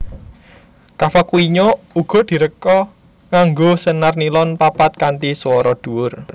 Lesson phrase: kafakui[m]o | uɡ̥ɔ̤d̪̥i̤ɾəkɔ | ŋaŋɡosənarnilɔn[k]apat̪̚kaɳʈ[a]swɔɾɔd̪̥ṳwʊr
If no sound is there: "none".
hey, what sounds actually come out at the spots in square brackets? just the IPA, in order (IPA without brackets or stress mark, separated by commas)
ɲ, p, i